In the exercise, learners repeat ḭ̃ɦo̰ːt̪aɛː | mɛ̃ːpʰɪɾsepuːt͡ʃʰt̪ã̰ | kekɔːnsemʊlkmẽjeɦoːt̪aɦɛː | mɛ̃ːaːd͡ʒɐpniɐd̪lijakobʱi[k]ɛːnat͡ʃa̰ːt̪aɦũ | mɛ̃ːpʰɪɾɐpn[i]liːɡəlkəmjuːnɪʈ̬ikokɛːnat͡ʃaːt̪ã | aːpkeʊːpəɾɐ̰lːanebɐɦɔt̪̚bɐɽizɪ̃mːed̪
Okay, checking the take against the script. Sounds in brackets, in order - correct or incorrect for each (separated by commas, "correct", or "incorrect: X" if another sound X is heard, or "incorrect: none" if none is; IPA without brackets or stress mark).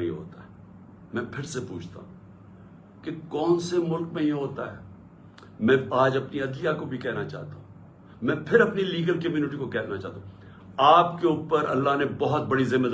correct, correct